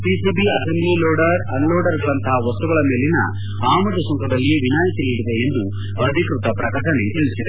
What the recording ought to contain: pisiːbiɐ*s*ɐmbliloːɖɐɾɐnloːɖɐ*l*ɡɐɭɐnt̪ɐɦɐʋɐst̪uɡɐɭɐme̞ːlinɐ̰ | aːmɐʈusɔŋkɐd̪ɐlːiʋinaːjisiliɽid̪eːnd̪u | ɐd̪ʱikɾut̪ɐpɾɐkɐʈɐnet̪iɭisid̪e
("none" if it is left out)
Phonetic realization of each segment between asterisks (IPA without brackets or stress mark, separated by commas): s, ɾ